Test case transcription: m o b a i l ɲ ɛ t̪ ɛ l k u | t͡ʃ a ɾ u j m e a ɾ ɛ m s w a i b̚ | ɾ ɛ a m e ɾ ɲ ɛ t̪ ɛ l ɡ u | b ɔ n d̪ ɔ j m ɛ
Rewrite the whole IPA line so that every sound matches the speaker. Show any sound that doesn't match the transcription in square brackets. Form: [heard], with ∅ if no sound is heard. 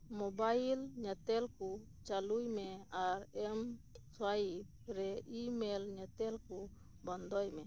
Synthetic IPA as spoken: m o b a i l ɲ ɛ t̪ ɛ l k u | t͡ʃ a [l] u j m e a ɾ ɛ m s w a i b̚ | ɾ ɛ [i] m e [l] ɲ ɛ t̪ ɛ l [k] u | b ɔ n d̪ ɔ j m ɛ